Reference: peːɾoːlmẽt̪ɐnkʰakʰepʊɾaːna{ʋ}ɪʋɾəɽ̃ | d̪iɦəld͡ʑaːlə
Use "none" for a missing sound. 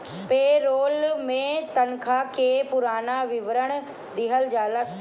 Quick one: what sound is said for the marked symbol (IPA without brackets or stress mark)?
ʋ